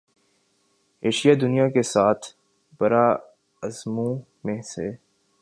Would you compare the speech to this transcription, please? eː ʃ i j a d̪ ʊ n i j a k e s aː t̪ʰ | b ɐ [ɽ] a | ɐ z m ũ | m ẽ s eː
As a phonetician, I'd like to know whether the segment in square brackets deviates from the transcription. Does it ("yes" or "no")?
yes